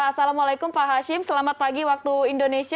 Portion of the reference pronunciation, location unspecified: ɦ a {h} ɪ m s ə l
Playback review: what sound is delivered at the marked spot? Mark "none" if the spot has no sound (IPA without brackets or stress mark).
ʃ